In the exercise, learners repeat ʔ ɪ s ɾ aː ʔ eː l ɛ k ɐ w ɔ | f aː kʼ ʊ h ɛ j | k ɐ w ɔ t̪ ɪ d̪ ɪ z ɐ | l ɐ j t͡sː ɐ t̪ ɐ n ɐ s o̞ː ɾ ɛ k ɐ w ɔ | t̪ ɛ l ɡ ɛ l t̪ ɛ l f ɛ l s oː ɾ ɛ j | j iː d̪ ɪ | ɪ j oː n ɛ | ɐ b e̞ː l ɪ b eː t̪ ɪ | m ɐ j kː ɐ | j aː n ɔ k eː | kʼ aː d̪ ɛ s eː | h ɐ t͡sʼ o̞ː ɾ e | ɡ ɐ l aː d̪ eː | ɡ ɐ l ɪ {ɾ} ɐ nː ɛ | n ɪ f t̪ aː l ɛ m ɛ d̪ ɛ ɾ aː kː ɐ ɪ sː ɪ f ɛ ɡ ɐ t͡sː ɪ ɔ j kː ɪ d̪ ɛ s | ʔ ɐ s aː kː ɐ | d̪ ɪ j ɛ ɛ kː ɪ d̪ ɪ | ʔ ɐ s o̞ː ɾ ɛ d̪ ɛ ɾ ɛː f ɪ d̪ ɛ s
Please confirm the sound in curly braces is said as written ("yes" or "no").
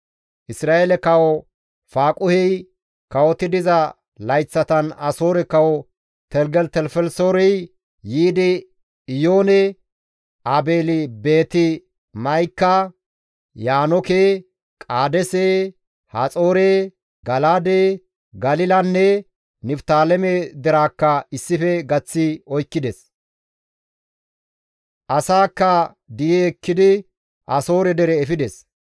no